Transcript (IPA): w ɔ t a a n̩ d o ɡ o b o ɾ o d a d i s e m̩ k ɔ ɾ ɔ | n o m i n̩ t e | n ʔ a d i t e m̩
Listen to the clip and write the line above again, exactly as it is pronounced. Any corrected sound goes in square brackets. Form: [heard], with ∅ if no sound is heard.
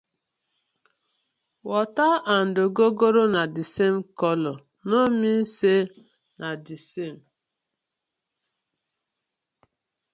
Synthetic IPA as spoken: w ɔ t a a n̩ d o ɡ o [ɡ] o ɾ o [n] a d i s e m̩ k ɔ [l] ɔ | n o m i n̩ [s] e | n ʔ a d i [s] e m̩